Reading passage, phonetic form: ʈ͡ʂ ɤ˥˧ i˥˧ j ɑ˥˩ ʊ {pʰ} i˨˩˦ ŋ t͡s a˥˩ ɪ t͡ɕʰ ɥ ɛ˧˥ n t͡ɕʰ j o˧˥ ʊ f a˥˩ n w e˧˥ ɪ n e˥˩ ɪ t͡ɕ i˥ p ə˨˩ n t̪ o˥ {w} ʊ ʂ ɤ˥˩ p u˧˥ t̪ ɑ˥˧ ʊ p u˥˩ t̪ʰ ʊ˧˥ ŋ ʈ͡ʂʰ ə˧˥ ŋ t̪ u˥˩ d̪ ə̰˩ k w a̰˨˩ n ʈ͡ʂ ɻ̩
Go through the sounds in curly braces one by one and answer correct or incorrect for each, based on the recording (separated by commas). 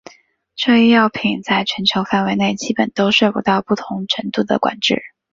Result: correct, incorrect